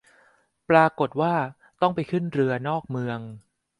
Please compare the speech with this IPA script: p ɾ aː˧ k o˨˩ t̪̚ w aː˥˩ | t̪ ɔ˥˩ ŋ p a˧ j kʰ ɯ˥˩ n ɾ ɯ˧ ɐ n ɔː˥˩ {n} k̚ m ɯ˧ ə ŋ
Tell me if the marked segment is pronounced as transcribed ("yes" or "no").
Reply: no